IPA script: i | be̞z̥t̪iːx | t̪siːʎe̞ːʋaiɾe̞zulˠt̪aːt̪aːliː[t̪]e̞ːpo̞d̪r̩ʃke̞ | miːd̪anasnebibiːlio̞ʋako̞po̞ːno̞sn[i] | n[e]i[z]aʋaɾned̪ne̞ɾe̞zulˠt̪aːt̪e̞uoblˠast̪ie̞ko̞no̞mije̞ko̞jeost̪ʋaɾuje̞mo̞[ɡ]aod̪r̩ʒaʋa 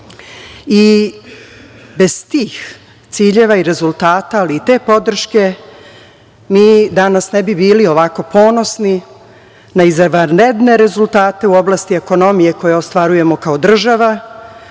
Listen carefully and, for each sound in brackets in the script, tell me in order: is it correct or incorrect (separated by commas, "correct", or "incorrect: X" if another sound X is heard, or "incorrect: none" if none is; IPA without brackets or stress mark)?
correct, correct, incorrect: a, correct, incorrect: k